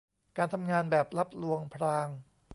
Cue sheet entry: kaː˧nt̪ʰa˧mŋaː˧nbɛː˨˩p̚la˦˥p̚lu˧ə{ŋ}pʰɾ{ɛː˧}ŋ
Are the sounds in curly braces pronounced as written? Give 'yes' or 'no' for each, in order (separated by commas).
yes, no